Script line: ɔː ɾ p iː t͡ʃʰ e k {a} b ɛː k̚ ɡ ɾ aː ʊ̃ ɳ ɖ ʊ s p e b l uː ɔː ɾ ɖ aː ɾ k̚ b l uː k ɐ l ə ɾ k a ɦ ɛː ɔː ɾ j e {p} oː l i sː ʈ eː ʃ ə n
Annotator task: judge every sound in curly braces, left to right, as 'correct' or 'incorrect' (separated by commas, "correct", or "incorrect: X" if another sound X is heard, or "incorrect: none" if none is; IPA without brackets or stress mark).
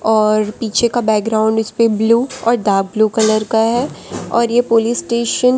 correct, correct